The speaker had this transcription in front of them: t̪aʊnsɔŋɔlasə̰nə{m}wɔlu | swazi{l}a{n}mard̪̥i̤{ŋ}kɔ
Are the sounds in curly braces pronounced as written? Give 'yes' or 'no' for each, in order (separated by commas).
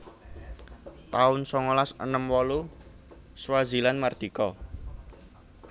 yes, yes, yes, no